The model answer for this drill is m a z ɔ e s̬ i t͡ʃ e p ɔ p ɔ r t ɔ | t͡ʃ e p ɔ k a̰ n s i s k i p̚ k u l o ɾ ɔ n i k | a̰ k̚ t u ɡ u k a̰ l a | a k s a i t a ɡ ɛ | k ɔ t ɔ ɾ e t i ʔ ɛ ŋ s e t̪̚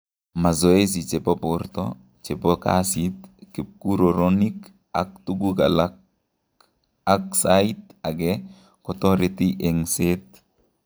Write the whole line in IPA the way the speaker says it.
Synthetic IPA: m a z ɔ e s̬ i t͡ʃ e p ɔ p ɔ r t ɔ | t͡ʃ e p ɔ k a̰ s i t k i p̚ k u ɾ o ɾ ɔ n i k | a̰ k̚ t u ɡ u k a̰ l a | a k s a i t a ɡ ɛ | k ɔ t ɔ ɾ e t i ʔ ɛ ŋ s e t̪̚